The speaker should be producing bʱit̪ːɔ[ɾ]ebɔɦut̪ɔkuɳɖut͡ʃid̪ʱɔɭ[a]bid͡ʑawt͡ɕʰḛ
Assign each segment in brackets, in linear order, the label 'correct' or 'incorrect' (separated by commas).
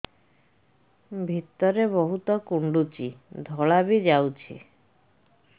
correct, correct